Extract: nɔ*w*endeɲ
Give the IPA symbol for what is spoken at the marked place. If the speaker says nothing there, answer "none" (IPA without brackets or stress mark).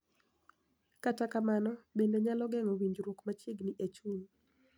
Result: b